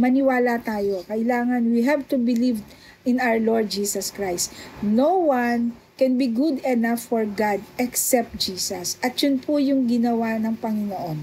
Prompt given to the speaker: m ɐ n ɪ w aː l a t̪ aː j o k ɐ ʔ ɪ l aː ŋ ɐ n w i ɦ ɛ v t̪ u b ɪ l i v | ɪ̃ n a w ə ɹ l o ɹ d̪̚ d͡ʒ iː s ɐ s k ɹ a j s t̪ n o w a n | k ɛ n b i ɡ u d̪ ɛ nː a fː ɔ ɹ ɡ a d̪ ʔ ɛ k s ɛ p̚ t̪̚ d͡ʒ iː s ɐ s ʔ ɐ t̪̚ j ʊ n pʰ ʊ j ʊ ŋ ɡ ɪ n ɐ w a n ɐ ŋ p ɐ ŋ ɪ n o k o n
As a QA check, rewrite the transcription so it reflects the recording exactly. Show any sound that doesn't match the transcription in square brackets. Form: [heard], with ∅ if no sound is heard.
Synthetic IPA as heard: m ɐ n ɪ w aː l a t̪ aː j o k ɐ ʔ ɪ l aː ŋ ɐ n w i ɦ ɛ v t̪ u b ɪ l i v | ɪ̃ n a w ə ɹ l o ɹ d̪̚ d͡ʒ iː s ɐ s k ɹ a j s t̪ n o w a n | k ɛ n b i ɡ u d̪ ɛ [n] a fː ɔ ɹ ɡ a d̪ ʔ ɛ k s ɛ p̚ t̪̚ d͡ʒ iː s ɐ s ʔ ɐ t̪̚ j ʊ n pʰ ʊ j ʊ ŋ ɡ ɪ n ɐ w a n ɐ ŋ p ɐ ŋ ɪ n o [ʔ] o n

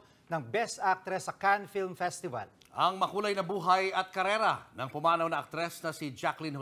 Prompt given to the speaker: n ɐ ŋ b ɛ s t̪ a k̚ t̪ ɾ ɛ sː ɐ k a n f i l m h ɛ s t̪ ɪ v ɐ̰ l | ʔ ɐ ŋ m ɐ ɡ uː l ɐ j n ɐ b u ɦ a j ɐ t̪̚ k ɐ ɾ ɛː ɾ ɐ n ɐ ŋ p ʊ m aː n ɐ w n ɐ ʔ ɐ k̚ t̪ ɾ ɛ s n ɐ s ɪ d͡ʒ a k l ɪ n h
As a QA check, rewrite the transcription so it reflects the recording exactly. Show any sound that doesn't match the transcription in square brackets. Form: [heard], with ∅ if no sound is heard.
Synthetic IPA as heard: n ɐ ŋ b ɛ s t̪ a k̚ t̪ ɾ ɛ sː ɐ k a n f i l m [f] ɛ s t̪ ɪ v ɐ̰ l | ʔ ɐ ŋ m ɐ [k] uː l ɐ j n ɐ b [uː] ɦ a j ɐ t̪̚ k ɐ ɾ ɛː ɾ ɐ n ɐ ŋ p ʊ m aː n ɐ w n ɐ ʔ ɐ k̚ t̪ ɾ ɛ s n ɐ s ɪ d͡ʒ a k l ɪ n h

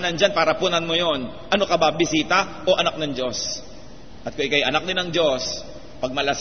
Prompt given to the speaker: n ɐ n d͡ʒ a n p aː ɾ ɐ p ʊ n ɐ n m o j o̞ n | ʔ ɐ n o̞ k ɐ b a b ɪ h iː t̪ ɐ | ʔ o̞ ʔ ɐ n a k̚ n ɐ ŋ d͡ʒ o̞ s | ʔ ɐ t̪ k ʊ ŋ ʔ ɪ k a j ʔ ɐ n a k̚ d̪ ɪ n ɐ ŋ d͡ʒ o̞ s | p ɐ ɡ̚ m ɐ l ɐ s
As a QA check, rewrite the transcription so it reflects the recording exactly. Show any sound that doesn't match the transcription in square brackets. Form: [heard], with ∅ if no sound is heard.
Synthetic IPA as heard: n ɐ n d͡ʒ a n p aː ɾ ɐ p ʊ n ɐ n m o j o̞ n | ʔ ɐ n o̞ k ɐ b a b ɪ [s] iː t̪ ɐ | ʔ o̞ ʔ ɐ n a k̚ n ɐ ŋ d͡ʒ o̞ s | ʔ ɐ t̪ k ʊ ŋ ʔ ɪ k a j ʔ ɐ n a k̚ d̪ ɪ n ɐ ŋ d͡ʒ o̞ s | p ɐ ɡ̚ m ɐ l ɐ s

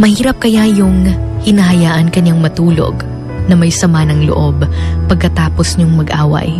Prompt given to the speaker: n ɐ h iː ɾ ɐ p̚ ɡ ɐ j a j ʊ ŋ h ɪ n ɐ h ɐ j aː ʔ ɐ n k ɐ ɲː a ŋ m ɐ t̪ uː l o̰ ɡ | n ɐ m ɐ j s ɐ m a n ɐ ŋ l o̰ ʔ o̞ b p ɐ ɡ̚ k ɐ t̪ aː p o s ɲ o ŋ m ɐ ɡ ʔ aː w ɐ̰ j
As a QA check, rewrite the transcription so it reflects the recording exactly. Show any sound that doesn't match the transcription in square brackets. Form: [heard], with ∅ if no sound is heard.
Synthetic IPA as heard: [m] ɐ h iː ɾ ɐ p̚ [k] ɐ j a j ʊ ŋ h ɪ n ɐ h ɐ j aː ʔ ɐ n k ɐ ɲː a ŋ m ɐ t̪ uː l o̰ ɡ | n ɐ m ɐ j s ɐ m a n ɐ ŋ l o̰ ʔ o̞ b p ɐ ɡ̚ k ɐ t̪ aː p o s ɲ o ŋ m ɐ ɡ ʔ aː w ɐ̰ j

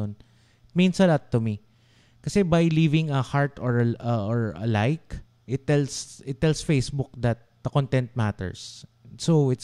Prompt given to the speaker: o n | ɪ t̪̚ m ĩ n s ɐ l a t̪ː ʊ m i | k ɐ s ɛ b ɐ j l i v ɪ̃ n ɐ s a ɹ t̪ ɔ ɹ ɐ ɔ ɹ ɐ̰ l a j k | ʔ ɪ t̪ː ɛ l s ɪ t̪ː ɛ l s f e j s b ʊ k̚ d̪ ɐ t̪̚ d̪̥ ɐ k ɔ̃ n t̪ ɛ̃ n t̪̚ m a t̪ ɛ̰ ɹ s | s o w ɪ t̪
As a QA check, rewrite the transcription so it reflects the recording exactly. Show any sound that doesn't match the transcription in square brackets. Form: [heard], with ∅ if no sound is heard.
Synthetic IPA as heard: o n | ɪ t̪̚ m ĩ n s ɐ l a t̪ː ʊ m i | k ɐ s ɛ b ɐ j l i v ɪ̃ [ŋ] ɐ [h] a ɹ t̪ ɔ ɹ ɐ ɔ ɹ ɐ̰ l a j k | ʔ ɪ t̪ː ɛ l s ɪ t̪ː ɛ l s f e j s b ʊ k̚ d̪ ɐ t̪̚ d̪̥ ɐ k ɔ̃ n t̪ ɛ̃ n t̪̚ m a t̪ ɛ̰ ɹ s | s o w ɪ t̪

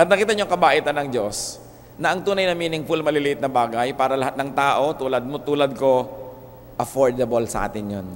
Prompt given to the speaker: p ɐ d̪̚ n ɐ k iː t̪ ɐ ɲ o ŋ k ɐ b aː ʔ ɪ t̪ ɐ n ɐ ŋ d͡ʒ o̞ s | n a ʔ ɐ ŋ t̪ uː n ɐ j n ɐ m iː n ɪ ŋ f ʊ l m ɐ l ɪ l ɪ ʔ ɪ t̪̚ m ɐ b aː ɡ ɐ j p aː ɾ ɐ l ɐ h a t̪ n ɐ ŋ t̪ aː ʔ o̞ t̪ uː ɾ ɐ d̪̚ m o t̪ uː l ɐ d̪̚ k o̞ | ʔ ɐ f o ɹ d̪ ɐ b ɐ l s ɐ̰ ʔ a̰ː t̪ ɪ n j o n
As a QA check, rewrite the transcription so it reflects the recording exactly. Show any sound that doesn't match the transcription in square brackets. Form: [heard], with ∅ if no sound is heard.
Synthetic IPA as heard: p ɐ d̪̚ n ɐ k iː t̪ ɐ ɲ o ŋ k ɐ b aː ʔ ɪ t̪ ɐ n ɐ ŋ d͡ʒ o̞ s | n [ɐ] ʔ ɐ ŋ t̪ uː n ɐ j n ɐ m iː n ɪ ŋ f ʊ l m ɐ l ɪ l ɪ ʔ ɪ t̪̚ [n] ɐ b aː ɡ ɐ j p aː ɾ ɐ l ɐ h a t̪ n ɐ ŋ t̪ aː ʔ o̞ t̪ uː [l] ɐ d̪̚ m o t̪ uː l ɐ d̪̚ k o̞ | ʔ ɐ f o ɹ d̪ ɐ b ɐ l s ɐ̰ ʔ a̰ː t̪ ɪ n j o n

